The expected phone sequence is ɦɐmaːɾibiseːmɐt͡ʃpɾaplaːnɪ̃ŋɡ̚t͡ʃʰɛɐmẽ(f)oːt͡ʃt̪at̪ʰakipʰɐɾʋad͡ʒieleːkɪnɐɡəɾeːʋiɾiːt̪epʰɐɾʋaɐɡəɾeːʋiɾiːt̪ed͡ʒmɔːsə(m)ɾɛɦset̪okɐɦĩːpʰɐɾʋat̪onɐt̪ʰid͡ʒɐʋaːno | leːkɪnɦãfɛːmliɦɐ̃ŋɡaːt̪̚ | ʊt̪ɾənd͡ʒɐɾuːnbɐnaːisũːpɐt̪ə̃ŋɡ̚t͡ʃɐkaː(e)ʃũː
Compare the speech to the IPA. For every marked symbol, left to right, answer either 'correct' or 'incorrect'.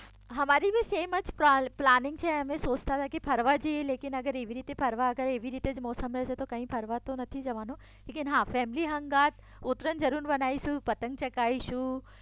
incorrect: s, correct, incorrect: i

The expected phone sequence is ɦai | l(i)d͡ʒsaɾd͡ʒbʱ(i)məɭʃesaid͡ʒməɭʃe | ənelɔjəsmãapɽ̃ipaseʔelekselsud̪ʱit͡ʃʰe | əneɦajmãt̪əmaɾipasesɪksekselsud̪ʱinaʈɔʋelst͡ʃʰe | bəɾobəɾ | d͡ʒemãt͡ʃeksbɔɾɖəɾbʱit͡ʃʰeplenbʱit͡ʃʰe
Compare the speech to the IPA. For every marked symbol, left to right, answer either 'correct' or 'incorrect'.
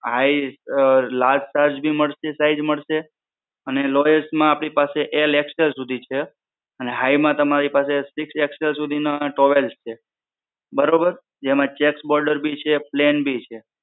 incorrect: a, correct

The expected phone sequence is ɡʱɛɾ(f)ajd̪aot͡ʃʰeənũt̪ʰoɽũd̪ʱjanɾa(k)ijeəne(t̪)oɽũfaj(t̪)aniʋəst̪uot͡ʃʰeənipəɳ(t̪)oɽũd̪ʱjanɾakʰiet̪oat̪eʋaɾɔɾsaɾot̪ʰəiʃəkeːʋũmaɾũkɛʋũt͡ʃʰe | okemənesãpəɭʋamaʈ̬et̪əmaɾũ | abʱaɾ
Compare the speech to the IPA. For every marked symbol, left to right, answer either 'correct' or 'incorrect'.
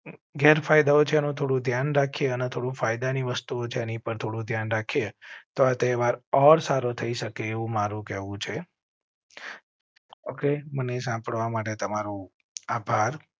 correct, incorrect: kʰ, incorrect: t̪ʰ, incorrect: d̪, incorrect: t̪ʰ

